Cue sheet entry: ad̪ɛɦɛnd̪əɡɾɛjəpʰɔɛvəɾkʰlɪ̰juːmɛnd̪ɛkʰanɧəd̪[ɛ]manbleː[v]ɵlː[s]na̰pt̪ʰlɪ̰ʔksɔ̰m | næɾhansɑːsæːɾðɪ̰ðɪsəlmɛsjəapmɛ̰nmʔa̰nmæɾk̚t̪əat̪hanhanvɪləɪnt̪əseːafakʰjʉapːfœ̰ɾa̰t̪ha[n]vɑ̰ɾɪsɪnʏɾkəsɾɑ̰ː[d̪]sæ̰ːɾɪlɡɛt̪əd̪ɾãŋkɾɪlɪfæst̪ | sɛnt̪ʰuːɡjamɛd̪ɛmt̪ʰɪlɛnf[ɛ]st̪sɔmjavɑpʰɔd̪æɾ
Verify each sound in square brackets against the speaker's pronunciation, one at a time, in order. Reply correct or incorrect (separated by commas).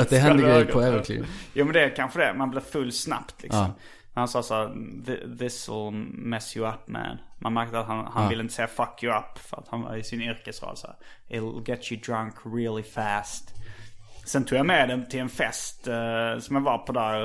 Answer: correct, incorrect, correct, correct, correct, correct